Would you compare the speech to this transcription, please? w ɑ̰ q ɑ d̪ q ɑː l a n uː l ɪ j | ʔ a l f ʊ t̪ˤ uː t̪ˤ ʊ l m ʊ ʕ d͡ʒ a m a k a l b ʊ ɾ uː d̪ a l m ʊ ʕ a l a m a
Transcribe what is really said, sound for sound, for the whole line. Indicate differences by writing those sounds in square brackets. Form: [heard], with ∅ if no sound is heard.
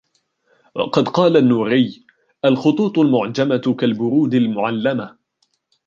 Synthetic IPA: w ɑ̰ q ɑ d̪ q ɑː l a [nː] uː [ɾ] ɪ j | ʔ a l [x] ʊ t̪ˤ uː t̪ˤ ʊ l m ʊ ʕ d͡ʒ a m a k a l b ʊ ɾ uː d̪ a l m ʊ ʕ a [lː] a m a